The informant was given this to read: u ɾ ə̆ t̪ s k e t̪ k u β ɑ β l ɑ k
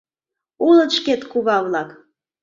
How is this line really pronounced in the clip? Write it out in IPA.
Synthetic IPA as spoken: u l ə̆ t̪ ʃ k e t̪ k u β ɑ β l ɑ k